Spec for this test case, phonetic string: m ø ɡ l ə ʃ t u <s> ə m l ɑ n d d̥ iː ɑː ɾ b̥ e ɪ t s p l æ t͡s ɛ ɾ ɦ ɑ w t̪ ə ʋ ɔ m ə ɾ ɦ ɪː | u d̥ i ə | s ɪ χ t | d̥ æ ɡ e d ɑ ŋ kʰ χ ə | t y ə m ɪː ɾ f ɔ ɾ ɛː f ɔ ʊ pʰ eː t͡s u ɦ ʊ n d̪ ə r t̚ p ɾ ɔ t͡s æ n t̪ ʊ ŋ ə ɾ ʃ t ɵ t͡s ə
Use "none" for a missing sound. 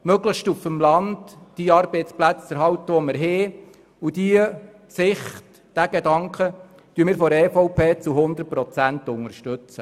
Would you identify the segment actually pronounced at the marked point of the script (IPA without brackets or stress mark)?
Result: f